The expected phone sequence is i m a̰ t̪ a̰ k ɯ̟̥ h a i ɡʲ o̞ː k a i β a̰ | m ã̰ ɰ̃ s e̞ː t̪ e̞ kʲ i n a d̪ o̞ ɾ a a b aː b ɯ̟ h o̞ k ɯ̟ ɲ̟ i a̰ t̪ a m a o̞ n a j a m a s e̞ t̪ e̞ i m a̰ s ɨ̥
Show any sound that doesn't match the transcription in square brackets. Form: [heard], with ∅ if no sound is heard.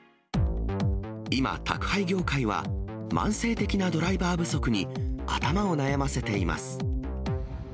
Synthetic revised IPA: i m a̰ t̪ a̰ k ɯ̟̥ h a i ɡʲ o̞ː k a i β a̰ | m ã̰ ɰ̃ s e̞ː t̪ e̞ kʲ i n a d̪ o̞ ɾ a [i] b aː b ɯ̟ [s] o̞ k ɯ̟ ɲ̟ i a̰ t̪ a m a o̞ n a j a m a s e̞ t̪ e̞ i m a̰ s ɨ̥

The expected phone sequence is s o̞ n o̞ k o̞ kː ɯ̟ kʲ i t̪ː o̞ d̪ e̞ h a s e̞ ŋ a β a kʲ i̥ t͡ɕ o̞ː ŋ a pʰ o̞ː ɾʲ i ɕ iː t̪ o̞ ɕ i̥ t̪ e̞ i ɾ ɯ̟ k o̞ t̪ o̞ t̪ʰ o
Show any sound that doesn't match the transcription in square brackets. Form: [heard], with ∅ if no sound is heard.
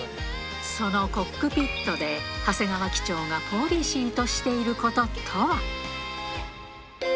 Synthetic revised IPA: s o̞ n o̞ k o̞ kː ɯ̟ [pʲ] i t̪ː o̞ d̪ e̞ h a s e̞ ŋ a β a kʲ i̥ t͡ɕ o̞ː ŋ a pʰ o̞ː ɾʲ i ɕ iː t̪ o̞ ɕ i̥ t̪ e̞ i ɾ ɯ̟ k o̞ t̪ o̞ t̪ʰ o

